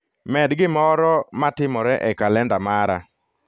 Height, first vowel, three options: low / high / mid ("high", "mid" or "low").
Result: mid